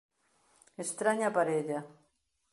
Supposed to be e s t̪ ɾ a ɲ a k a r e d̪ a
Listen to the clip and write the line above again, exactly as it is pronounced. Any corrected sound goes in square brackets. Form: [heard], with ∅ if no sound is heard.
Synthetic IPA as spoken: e s t̪ ɾ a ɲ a [p] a [ɾ] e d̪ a